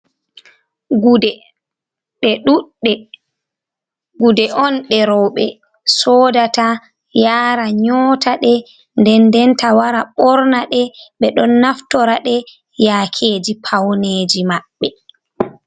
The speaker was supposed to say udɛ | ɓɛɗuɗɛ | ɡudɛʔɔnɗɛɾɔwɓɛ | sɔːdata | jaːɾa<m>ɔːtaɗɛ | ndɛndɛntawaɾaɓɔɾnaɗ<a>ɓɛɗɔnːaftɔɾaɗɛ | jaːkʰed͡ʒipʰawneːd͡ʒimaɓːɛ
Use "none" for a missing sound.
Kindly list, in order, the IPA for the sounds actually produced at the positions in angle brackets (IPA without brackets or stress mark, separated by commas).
ɲ, ɛ